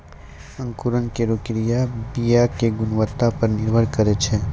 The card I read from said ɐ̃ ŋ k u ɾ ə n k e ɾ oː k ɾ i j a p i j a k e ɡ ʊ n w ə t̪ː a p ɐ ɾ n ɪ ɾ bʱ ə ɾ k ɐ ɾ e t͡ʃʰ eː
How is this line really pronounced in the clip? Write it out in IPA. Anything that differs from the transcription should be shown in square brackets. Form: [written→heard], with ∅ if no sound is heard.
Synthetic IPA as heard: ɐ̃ ŋ k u ɾ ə n k e ɾ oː k ɾ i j a [p→b] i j a k e ɡ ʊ n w ə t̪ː a p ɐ ɾ n ɪ ɾ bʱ ə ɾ k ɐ ɾ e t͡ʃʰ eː